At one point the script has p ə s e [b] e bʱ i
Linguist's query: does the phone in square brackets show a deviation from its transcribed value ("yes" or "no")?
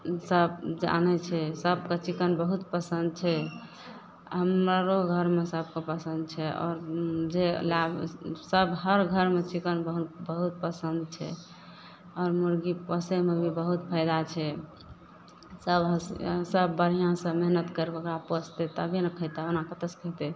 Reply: yes